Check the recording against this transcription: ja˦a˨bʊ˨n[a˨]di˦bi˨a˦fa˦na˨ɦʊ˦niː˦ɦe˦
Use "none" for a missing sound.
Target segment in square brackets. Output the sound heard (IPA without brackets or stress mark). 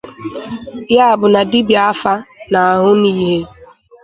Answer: a˨